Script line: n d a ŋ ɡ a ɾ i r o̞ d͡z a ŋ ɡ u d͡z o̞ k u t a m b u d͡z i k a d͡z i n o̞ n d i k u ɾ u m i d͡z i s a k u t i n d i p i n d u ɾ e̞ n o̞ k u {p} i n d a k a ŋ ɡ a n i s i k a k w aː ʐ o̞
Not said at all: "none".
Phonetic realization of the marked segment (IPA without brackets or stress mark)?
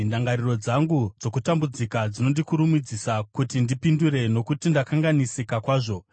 t